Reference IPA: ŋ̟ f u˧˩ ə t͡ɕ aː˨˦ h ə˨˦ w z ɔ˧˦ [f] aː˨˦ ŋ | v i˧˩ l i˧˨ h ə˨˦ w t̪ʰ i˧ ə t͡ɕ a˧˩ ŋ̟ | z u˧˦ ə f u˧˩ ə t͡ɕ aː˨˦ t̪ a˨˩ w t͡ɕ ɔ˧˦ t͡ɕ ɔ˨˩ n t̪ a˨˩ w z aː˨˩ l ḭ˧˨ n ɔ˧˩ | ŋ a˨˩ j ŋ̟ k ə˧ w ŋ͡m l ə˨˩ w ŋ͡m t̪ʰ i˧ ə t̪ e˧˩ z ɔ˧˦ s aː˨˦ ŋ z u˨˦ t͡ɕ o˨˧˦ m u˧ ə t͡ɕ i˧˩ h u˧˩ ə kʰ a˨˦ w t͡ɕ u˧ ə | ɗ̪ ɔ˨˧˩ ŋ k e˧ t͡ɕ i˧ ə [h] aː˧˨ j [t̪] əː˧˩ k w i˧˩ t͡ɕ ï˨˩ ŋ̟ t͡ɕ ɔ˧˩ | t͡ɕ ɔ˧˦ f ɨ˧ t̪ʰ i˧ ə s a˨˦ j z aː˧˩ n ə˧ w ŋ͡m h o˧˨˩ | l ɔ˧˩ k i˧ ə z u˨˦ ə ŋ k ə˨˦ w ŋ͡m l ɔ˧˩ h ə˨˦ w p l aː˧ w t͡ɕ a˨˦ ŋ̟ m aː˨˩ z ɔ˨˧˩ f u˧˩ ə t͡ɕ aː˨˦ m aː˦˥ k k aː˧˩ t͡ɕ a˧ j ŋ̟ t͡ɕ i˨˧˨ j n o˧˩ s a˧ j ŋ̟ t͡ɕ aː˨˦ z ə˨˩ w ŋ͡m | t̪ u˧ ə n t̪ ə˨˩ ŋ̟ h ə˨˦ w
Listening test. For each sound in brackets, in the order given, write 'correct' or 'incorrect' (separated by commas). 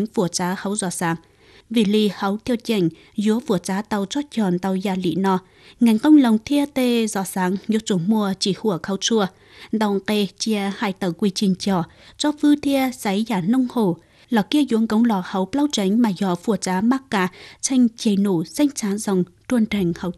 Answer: incorrect, correct, correct